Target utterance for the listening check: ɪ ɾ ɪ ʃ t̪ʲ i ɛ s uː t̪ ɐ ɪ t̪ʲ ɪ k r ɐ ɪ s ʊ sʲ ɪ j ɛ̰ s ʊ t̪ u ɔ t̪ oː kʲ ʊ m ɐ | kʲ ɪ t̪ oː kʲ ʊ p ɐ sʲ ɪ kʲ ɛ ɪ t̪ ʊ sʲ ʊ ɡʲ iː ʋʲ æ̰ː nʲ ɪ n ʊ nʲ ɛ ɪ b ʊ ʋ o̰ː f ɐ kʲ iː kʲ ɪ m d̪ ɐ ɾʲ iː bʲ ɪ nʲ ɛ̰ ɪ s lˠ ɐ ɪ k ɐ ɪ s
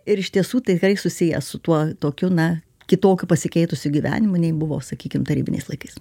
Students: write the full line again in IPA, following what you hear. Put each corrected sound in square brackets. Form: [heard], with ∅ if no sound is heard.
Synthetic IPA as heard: ɪ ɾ ɪ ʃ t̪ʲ i ɛ s uː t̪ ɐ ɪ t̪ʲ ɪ k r ɐ ɪ s ʊ sʲ ɪ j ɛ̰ s ʊ t̪ u ɔ t̪ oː kʲ ʊ [n] ɐ | kʲ ɪ t̪ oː kʲ ʊ p ɐ sʲ ɪ kʲ ɛ ɪ t̪ ʊ sʲ ʊ ɡʲ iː ʋʲ æ̰ː nʲ ɪ [m] ʊ nʲ ɛ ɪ b ʊ ʋ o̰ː [s] ɐ kʲ iː kʲ ɪ m [t̪] ɐ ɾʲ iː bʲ ɪ nʲ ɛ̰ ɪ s lˠ ɐ ɪ k ɐ ɪ s